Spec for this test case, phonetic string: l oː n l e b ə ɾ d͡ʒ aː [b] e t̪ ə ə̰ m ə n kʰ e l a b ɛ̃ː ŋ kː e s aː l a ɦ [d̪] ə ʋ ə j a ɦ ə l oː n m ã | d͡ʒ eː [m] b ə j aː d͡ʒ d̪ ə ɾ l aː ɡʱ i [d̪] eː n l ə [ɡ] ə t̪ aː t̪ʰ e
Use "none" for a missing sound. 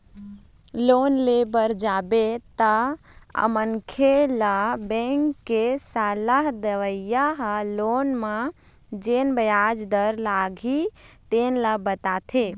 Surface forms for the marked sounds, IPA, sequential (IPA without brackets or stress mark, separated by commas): b, d̪, n, t̪, b